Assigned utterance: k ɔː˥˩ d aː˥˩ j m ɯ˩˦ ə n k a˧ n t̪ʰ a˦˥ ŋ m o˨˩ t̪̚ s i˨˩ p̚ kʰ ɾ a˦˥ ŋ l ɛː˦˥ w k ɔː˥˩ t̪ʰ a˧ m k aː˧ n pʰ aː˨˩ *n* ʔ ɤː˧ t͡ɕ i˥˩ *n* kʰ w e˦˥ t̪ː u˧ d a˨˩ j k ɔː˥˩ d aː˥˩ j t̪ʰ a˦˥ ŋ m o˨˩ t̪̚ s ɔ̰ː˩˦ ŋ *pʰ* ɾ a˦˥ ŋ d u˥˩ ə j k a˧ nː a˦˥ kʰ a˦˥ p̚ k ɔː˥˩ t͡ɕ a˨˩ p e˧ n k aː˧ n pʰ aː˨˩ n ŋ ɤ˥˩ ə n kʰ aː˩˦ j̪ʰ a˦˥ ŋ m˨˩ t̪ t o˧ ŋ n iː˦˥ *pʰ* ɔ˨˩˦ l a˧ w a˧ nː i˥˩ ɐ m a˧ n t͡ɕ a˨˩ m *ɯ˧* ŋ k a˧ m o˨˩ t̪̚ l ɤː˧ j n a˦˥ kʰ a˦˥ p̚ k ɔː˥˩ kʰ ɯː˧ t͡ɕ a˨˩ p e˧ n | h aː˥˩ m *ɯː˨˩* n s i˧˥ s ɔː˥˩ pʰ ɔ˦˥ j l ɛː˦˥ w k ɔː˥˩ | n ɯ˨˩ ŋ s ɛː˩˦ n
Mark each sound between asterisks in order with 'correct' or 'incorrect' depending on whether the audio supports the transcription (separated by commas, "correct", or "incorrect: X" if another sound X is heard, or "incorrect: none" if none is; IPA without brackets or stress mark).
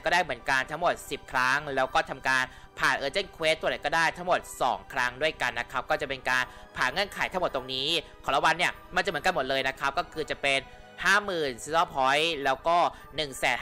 correct, correct, incorrect: kʰ, incorrect: kʰ, incorrect: ɯ˩˦, correct